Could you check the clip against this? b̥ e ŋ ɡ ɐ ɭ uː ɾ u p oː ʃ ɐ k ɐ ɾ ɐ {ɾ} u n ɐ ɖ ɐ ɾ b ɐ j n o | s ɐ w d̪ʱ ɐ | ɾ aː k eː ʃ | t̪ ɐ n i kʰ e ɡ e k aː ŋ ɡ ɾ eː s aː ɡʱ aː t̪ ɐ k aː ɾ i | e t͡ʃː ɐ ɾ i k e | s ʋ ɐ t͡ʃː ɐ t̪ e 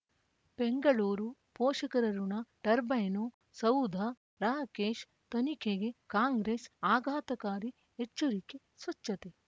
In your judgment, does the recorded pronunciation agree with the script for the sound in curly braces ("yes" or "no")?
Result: yes